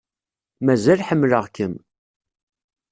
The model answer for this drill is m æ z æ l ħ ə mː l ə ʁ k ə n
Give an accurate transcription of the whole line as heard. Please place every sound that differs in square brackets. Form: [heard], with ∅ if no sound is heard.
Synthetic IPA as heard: m æ z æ l ħ ə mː l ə ʁ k ə [m]